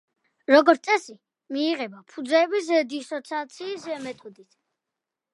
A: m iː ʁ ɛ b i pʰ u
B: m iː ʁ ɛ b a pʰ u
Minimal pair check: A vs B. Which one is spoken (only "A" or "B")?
B